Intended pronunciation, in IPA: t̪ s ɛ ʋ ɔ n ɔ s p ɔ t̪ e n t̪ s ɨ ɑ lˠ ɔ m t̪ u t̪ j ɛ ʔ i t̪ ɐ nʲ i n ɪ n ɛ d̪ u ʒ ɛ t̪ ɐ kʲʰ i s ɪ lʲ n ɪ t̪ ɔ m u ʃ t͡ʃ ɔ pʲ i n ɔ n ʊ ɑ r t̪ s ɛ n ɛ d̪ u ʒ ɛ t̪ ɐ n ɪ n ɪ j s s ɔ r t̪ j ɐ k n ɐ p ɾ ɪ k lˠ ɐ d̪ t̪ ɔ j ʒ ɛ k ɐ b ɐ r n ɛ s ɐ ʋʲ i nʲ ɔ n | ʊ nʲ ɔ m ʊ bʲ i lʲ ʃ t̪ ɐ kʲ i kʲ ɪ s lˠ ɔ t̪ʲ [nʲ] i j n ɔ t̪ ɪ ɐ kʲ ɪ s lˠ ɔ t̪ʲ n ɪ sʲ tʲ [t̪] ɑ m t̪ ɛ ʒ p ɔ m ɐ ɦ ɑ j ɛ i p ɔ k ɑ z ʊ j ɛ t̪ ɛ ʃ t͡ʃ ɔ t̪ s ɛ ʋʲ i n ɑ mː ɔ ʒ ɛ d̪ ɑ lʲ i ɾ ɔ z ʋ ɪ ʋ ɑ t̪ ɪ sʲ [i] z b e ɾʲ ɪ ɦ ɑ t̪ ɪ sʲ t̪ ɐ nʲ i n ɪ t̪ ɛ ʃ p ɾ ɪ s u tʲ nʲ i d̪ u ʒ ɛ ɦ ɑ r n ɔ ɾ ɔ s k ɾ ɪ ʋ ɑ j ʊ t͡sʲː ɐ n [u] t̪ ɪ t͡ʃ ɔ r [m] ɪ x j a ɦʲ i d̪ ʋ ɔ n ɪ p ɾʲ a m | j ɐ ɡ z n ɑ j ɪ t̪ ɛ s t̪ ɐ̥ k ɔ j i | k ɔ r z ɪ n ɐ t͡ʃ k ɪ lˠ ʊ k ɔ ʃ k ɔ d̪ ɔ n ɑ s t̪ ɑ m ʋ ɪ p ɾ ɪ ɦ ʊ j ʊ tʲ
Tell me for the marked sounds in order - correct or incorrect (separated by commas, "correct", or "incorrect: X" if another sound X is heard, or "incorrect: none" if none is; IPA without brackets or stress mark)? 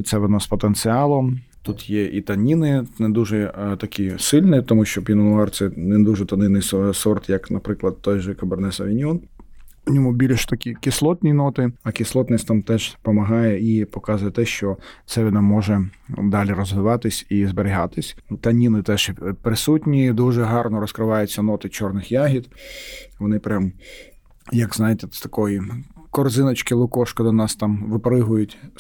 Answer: correct, correct, correct, incorrect: ɔ, incorrect: n